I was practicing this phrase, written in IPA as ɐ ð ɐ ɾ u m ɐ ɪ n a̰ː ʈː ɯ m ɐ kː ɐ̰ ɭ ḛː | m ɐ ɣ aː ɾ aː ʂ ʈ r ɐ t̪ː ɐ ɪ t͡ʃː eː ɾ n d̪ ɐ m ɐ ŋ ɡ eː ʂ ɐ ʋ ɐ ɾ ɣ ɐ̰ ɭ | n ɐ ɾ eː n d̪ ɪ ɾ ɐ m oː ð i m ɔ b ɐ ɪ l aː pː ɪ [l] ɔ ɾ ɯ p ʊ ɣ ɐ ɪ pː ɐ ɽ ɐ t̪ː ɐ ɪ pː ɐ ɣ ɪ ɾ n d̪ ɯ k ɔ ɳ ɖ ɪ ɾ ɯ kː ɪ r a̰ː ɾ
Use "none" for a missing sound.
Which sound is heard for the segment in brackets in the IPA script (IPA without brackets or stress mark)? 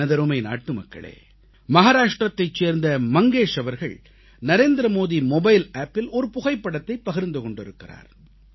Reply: l